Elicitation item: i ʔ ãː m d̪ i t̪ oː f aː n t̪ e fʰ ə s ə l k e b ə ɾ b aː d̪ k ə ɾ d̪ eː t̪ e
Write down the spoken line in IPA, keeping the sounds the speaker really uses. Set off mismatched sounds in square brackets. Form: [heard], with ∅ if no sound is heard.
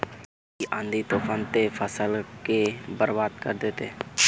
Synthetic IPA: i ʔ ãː [n] d̪ i t̪ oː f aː n t̪ e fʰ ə s ə l k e b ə ɾ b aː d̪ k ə ɾ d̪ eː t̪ e